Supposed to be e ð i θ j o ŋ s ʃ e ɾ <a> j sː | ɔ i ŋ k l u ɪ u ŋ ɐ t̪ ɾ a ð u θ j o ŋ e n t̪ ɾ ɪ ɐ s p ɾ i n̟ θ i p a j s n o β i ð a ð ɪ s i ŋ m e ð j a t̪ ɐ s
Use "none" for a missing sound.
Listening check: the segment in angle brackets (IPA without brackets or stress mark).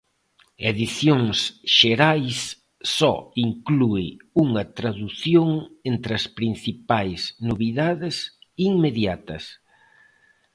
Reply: a